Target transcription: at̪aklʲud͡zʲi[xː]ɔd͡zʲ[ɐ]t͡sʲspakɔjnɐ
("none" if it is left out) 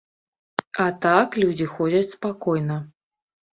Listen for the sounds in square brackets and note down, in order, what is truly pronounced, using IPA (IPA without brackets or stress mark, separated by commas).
x, ɐ